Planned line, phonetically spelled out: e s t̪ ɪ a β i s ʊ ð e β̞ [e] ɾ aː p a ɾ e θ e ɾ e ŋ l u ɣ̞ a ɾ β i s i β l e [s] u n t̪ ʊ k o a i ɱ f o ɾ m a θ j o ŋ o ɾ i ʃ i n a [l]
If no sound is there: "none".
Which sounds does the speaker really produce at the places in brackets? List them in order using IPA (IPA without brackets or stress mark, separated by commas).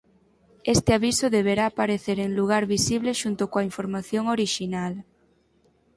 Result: e, ʃ, l